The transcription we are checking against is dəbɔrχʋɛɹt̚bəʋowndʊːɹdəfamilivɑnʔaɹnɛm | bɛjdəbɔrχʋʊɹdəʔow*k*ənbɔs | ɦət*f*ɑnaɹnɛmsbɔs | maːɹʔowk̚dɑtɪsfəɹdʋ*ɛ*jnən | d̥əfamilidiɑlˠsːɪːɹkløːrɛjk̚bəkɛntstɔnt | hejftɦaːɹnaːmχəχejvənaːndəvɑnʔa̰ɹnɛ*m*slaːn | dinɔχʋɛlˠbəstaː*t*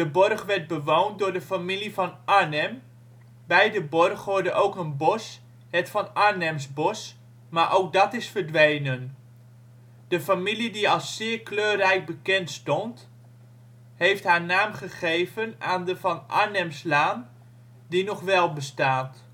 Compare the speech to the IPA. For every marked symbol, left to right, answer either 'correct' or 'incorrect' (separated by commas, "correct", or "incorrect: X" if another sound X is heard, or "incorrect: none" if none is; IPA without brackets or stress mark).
correct, correct, incorrect: e, correct, correct